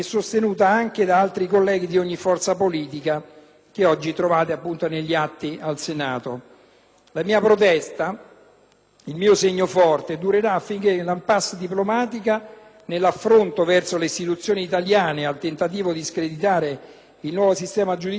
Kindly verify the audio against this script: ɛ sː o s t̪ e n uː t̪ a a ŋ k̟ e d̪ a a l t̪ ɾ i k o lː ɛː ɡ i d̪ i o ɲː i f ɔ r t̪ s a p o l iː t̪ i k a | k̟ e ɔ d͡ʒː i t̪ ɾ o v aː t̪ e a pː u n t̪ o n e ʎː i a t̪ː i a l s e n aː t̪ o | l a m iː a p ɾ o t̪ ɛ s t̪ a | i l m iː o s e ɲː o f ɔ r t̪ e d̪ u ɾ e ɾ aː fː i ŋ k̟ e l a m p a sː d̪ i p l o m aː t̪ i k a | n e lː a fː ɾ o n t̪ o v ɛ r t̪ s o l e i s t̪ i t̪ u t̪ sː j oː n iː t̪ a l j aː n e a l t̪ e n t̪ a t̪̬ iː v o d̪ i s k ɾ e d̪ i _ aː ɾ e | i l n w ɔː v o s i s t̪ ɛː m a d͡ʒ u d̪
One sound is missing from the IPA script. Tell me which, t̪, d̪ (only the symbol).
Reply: t̪